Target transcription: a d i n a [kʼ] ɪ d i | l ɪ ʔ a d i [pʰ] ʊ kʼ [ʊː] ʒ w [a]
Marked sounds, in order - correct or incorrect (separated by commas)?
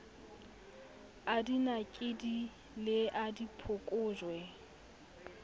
correct, correct, correct, incorrect